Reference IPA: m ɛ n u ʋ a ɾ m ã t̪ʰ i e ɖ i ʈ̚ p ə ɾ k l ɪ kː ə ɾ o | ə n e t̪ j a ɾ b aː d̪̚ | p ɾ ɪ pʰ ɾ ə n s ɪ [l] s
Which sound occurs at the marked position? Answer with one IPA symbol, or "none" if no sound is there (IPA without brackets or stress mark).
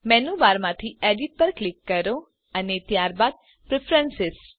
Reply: none